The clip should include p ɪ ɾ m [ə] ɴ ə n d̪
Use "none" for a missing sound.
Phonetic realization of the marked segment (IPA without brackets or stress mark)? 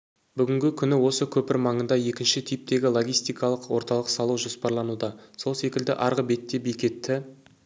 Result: ɑ